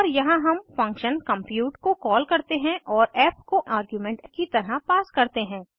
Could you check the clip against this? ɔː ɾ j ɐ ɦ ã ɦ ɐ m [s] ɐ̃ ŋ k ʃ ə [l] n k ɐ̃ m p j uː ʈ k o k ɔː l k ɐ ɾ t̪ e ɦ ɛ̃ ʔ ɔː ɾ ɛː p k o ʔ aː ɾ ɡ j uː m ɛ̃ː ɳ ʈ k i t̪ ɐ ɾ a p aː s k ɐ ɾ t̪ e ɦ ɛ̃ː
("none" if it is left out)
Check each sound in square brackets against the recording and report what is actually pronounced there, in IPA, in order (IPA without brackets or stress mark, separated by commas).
f, none